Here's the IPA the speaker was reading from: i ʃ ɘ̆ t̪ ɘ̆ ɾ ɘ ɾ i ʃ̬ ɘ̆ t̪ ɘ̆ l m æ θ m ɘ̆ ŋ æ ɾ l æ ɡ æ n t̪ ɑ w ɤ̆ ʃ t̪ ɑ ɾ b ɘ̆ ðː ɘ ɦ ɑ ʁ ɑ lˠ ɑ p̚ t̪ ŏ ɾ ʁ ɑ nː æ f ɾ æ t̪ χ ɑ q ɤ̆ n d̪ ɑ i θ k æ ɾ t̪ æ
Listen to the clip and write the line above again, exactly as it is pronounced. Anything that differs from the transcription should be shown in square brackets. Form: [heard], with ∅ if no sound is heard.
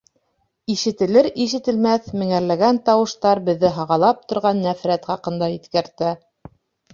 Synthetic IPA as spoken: i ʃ ɘ̆ t̪ ɘ̆ [l] ɘ ɾ i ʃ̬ ɘ̆ t̪ ɘ̆ l m æ θ m ɘ̆ ŋ æ ɾ l æ ɡ æ n t̪ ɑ w ɤ̆ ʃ t̪ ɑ ɾ b ɘ̆ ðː ɘ ɦ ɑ ʁ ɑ lˠ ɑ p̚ t̪ ŏ ɾ ʁ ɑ nː æ f ɾ æ t̪ χ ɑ q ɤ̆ n d̪ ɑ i θ k æ ɾ t̪ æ